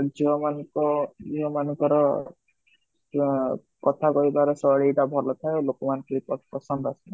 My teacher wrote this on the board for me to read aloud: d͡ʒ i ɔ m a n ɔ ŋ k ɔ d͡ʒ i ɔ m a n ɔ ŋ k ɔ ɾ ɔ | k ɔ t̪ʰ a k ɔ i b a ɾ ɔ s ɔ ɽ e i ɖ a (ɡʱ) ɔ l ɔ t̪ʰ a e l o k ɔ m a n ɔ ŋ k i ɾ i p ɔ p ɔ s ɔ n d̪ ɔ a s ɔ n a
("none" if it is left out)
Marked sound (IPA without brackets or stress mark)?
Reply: bʱ